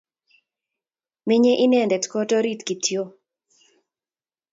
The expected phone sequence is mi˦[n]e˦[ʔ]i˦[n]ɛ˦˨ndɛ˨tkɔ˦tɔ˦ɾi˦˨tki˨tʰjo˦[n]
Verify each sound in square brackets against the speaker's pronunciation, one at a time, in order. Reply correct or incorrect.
incorrect: ɲ, correct, correct, incorrect: none

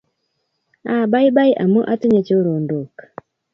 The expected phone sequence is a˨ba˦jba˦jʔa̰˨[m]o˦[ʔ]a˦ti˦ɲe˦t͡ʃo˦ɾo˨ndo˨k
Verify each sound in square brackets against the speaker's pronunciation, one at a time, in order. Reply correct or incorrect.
correct, correct

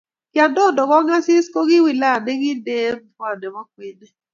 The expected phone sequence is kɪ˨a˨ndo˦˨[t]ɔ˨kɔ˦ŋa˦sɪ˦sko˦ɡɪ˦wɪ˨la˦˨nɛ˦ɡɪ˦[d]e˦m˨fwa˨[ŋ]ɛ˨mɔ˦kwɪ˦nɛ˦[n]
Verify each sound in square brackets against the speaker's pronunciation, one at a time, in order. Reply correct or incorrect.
incorrect: d, correct, incorrect: n, incorrect: none

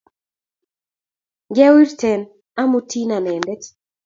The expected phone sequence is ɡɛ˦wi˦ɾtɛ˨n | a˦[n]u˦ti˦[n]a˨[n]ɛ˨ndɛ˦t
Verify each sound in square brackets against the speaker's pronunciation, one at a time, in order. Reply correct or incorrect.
incorrect: m, correct, correct

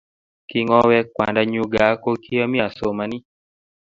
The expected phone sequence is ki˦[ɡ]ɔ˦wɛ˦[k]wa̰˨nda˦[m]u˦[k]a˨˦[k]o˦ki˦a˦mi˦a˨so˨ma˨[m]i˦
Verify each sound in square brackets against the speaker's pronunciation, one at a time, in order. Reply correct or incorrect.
incorrect: ŋ, correct, incorrect: ɲ, incorrect: ɡ, correct, incorrect: n

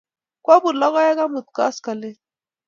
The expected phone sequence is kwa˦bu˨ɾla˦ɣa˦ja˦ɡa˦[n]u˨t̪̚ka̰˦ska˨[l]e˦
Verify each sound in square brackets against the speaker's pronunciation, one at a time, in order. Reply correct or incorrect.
incorrect: m, correct

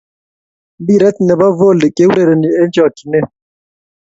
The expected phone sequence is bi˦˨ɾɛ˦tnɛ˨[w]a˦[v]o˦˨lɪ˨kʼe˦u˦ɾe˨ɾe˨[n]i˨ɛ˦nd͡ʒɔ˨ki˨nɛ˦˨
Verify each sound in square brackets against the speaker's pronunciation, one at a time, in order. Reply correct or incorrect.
incorrect: b, correct, correct

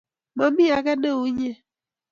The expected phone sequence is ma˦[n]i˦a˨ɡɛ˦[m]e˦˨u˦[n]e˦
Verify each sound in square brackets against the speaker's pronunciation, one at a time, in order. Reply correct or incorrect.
incorrect: m, incorrect: n, incorrect: ɲ

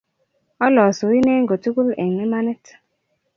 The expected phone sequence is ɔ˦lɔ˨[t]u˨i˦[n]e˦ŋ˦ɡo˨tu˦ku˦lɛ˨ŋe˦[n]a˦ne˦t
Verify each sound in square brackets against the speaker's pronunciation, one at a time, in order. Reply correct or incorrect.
incorrect: s, correct, incorrect: m

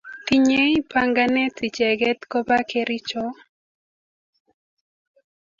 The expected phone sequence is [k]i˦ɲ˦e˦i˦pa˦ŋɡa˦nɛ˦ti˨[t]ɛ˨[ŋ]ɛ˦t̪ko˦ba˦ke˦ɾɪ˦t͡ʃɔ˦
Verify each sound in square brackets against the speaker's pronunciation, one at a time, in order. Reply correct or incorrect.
incorrect: t, incorrect: t͡ʃ, incorrect: ɡ

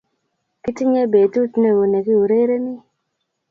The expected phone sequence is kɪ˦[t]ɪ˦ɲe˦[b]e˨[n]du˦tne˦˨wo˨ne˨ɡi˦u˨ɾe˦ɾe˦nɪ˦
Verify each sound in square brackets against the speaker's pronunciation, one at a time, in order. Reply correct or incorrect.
correct, correct, incorrect: none

